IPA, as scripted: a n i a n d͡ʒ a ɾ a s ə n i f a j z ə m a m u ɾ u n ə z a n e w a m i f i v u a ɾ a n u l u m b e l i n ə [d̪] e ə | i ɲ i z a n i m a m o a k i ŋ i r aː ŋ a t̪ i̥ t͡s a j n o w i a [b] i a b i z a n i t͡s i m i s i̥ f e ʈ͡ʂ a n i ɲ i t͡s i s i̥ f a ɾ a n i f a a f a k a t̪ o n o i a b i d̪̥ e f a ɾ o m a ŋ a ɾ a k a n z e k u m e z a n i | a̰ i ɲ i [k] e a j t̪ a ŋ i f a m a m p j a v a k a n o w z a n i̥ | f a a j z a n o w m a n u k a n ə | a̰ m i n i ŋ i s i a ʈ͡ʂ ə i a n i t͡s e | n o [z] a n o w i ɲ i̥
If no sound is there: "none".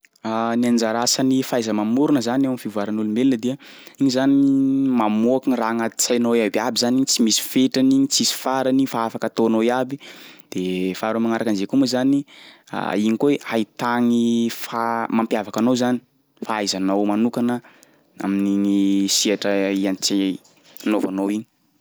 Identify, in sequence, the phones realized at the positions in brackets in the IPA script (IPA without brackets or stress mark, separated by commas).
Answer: d̪, b, k, v